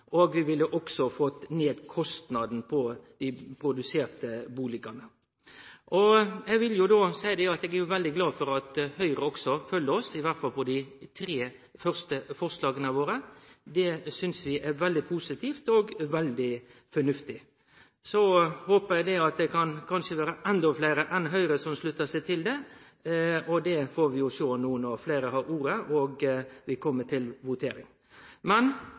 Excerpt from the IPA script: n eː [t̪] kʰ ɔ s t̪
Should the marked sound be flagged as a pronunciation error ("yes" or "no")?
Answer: yes